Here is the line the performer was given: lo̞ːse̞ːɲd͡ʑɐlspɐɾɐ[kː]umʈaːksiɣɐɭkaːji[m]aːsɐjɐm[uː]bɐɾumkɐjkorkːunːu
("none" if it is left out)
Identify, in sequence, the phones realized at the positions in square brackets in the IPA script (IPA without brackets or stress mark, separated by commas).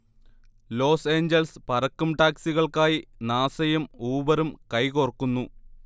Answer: kː, n, uː